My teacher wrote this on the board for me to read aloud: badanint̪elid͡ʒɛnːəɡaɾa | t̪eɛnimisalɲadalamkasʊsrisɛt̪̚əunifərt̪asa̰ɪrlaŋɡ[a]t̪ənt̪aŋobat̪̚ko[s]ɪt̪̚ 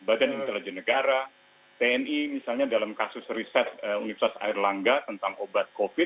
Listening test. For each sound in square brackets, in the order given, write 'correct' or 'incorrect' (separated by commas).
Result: correct, incorrect